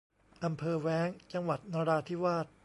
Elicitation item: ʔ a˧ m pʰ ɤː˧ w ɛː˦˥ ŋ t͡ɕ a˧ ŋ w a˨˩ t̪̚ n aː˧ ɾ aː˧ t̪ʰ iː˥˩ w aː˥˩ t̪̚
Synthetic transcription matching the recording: ʔ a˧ m pʰ ɤː˧ w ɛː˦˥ ŋ t͡ɕ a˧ ŋ w a˨˩ t̪̚ n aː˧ ɾ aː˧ t̪ʰ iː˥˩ w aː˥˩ t̪̚